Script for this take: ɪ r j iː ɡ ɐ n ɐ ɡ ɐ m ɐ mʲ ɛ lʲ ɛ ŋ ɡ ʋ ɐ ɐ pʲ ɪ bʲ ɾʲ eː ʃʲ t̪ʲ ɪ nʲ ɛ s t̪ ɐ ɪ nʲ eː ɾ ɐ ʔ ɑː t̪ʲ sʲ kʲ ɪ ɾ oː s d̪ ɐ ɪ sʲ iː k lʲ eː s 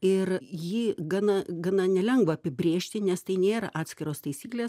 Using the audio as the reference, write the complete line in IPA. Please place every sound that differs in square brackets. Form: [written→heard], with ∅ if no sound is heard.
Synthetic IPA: ɪ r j iː ɡ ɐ n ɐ ɡ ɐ [m→n] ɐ [mʲ→nʲ] ɛ lʲ ɛ ŋ ɡ ʋ ɐ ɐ pʲ ɪ bʲ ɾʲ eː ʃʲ t̪ʲ ɪ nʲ ɛ s t̪ ɐ ɪ nʲ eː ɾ ɐ ʔ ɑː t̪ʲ sʲ kʲ ɪ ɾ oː s [d̪→t̪] ɐ ɪ sʲ iː k lʲ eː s